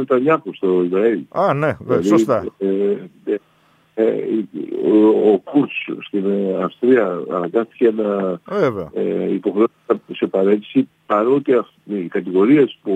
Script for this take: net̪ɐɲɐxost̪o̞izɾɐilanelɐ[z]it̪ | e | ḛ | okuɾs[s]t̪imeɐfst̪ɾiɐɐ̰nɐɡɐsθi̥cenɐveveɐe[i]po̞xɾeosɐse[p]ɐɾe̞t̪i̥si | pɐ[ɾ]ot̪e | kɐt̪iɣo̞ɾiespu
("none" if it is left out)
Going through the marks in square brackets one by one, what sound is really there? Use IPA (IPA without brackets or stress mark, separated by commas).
ð, s, i, p, ɾ